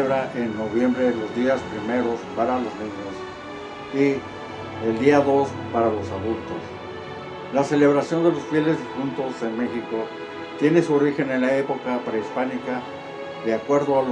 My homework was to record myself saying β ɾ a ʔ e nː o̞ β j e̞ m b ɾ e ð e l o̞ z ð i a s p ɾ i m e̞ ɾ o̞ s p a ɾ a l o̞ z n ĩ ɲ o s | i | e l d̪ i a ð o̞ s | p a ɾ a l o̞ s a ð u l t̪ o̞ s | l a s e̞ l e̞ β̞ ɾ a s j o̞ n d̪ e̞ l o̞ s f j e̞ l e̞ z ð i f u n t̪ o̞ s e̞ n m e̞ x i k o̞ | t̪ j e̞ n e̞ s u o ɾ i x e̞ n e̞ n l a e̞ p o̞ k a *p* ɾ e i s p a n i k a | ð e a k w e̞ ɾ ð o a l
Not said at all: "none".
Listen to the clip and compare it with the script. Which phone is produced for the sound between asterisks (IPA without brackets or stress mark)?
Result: p